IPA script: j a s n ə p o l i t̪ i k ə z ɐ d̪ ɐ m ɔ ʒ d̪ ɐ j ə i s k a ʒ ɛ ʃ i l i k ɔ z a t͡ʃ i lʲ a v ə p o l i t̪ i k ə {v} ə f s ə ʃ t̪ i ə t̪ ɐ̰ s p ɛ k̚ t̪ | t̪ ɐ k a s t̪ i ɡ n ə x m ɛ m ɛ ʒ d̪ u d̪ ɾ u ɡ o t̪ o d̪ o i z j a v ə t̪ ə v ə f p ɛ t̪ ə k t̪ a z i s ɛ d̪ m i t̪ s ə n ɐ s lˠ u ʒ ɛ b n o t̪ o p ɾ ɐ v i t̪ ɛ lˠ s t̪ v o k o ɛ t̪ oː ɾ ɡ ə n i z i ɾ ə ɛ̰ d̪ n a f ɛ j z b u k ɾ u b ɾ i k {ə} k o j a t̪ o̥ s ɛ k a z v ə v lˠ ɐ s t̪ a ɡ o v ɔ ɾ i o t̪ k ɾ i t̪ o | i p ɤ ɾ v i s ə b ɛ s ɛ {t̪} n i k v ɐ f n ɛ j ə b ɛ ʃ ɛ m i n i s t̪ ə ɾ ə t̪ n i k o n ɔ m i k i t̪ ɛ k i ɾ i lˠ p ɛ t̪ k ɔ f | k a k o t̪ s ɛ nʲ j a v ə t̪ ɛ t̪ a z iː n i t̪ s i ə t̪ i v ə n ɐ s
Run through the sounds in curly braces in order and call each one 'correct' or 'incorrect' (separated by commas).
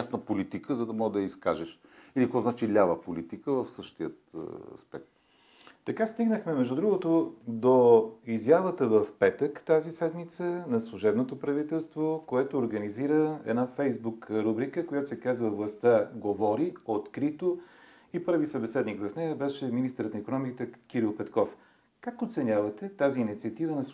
correct, correct, incorrect